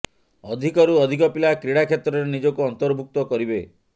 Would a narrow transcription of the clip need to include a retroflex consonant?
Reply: yes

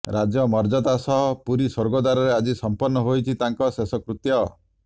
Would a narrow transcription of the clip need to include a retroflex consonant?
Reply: no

